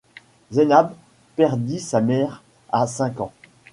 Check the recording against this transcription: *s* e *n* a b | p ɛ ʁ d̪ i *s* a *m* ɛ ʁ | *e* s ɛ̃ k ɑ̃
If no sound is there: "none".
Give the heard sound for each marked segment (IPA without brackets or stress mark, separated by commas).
z, n, s, m, a